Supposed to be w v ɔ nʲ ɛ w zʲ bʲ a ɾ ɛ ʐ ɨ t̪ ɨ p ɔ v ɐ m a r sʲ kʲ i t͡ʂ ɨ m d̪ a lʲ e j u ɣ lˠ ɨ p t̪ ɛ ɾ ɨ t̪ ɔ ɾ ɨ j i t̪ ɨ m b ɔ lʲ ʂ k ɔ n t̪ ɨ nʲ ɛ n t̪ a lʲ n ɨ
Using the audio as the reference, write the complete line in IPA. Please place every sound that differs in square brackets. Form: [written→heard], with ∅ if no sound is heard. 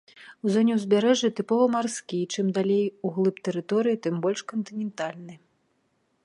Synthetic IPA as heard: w [v→z] ɔ nʲ ɛ w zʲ bʲ a ɾ ɛ ʐ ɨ t̪ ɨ p ɔ v ɐ m a r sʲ kʲ i t͡ʂ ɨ m d̪ a lʲ e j u ɣ lˠ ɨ p t̪ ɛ ɾ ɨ t̪ ɔ ɾ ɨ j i t̪ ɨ m b ɔ lʲ ʂ k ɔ n t̪ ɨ nʲ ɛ n t̪ a lʲ n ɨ